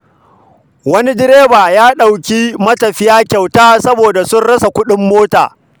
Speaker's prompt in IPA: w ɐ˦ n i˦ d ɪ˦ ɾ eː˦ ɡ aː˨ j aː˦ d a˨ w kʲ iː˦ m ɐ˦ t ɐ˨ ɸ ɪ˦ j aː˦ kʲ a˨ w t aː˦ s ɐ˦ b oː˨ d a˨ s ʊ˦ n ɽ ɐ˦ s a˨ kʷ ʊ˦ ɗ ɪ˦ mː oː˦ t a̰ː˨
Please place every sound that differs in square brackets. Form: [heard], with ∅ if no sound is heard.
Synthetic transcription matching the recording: w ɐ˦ n i˦ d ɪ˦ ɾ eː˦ [b] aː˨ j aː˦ [ɗ] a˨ w kʲ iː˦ m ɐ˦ t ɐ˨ ɸ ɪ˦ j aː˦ kʲ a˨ w t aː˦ s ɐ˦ b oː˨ d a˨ s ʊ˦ n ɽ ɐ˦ s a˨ kʷ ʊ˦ ɗ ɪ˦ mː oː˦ t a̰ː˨